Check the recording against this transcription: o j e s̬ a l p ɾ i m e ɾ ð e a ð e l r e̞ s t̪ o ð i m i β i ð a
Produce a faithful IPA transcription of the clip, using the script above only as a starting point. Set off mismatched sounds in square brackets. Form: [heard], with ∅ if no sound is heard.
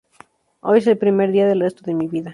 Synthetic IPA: o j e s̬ [e] l p ɾ i m e ɾ ð [i] a ð e l r e̞ s t̪ o ð [e] m i β i ð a